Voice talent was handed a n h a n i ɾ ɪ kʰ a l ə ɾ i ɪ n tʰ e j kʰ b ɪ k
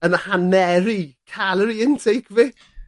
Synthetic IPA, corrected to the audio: ə n h a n ɛ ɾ i kʰ a l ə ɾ i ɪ n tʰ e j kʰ v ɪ k